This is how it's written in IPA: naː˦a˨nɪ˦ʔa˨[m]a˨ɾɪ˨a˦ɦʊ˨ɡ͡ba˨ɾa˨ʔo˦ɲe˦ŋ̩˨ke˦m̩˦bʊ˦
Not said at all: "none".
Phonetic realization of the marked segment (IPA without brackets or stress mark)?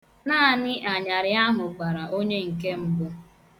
ɲ